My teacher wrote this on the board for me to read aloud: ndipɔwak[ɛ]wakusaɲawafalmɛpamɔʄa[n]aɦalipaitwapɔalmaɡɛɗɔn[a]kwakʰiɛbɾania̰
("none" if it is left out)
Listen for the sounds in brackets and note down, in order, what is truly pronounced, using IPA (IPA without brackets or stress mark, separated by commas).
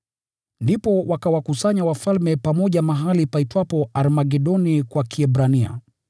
a, m, i